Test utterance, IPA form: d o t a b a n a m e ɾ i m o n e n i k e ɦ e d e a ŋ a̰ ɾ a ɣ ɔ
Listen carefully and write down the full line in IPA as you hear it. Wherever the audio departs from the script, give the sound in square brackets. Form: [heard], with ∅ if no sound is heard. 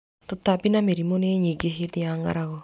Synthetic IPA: [t] o t a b [i] n a m e ɾ i m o n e [ɲ] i [ɡ] e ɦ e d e a ŋ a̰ ɾ a ɣ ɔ